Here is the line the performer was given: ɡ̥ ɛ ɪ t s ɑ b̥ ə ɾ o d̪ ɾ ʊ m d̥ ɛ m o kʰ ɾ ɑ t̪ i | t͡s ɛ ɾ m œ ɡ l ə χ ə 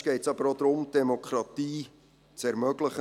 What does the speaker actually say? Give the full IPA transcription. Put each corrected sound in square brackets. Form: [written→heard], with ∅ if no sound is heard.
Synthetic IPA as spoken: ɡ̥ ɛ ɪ t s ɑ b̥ ə ɾ o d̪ ɾ ʊ m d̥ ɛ m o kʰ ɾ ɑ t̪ [i→iː] | t͡s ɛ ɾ m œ ɡ l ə χ ə